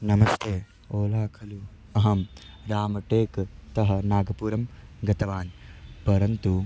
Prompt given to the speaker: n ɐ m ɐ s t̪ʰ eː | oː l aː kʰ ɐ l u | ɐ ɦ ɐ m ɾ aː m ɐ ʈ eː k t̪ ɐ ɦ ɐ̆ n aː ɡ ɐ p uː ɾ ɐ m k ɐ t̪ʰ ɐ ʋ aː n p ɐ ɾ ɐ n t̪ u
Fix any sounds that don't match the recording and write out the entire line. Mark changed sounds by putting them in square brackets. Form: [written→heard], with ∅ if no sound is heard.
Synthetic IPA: n ɐ m ɐ s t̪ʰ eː | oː l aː kʰ ɐ l u | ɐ ɦ ɐ m ɾ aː m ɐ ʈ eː k t̪ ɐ ɦ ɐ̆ n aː ɡ ɐ p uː ɾ ɐ m [k→ɡ] ɐ [t̪ʰ→t̪] ɐ ʋ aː n p ɐ ɾ ɐ n t̪ u